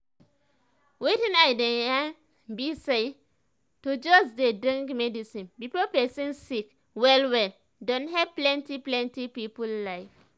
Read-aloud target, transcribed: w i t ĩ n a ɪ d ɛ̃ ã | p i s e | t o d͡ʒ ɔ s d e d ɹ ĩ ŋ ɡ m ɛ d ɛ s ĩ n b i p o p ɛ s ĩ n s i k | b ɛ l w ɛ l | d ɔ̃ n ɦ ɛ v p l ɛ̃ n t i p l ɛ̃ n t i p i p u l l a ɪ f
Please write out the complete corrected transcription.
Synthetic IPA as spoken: w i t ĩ n a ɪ d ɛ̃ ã | b i s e | t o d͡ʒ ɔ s d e d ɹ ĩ ŋ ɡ m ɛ d i s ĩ n b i p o p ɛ s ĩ n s i k | w ɛ l w ɛ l | d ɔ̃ n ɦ ɛ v p l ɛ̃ n t i p l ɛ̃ n t i p i p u l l a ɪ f